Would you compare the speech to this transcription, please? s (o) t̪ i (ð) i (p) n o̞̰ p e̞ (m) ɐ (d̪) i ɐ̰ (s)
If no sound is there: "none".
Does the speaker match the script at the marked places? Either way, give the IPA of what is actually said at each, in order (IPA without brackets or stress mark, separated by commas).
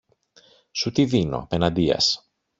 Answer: u, ð, none, n, d̪, s